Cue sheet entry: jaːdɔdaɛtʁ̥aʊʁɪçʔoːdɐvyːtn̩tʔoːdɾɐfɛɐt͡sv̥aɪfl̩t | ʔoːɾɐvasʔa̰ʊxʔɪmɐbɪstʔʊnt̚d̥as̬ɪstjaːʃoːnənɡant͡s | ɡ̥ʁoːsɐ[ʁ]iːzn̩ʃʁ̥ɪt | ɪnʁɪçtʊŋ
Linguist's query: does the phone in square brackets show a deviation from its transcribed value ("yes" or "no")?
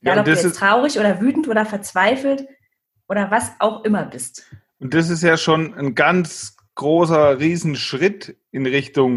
no